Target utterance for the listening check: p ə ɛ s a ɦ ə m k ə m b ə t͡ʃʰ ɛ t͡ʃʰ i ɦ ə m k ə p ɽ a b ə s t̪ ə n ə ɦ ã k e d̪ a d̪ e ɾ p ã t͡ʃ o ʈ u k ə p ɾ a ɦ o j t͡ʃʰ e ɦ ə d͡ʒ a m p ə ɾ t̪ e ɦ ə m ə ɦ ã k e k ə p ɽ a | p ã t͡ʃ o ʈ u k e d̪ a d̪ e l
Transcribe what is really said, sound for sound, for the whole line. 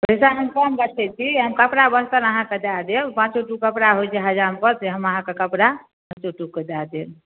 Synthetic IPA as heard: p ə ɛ s a ɦ ə m k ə m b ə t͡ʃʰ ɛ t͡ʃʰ i ɦ ə m k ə p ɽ a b ə s t̪ ə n ə ɦ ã k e d̪ a d̪ e l p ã t͡ʃ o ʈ u k ə p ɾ a ɦ o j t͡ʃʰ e ɦ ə d͡ʒ a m p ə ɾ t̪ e ɦ ə m ə ɦ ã k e k ə p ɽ a | p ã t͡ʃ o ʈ u k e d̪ a d̪ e l